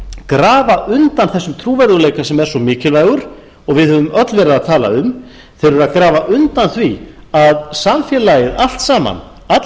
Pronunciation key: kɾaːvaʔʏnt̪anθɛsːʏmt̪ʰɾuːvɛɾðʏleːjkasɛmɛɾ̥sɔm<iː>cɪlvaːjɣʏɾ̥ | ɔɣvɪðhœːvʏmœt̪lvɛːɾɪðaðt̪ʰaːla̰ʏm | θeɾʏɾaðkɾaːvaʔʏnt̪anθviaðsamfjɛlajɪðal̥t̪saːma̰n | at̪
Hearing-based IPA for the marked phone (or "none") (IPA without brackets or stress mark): ɪː